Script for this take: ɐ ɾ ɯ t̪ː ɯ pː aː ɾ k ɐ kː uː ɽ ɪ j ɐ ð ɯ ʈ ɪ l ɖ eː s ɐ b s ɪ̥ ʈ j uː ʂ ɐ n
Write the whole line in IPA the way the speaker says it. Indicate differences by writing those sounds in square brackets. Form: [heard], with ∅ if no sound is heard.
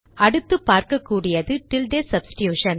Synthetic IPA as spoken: ɐ [ɽ] ɯ t̪ː ɯ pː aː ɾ k ɐ kː uː ɽ ɪ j ɐ ð ɯ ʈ ɪ l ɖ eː s ɐ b s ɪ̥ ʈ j uː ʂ ɐ n